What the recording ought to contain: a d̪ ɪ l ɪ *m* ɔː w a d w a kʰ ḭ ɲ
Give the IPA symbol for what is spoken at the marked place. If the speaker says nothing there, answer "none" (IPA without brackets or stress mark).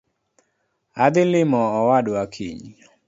m